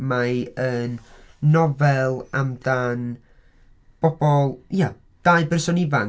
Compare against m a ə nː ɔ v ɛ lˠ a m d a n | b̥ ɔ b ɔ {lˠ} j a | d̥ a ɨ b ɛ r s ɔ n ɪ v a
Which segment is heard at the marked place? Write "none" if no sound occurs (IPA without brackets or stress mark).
lˠ